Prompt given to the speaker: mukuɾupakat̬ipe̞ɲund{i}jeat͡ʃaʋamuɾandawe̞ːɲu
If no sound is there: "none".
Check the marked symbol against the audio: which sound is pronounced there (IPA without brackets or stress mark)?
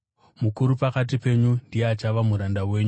i